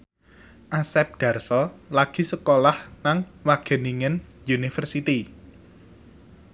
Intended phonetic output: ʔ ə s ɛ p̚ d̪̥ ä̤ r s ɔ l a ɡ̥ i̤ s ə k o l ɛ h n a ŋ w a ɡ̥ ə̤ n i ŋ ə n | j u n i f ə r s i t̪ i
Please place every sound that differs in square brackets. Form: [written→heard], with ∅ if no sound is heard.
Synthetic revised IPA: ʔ [ə→a] s ɛ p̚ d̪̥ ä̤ r s ɔ l a ɡ̥ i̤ s ə k o l [ɛ→a] h n a ŋ w a ɡ̥ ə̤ n i ŋ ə n | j u n i f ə r s i t̪ i